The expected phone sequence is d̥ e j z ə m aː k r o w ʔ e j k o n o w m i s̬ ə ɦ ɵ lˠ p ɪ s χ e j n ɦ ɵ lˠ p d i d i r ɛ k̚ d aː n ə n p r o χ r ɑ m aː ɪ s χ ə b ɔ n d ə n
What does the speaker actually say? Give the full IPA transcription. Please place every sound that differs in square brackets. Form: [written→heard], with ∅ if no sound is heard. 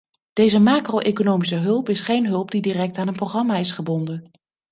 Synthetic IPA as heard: d̥ e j z ə m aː k r o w ʔ e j k o n o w m i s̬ ə ɦ ɵ lˠ p ɪ s χ e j n ɦ ɵ lˠ p d i d i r ɛ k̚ [d→t] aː n ə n p r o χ r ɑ m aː ɪ s χ ə b ɔ n d ə n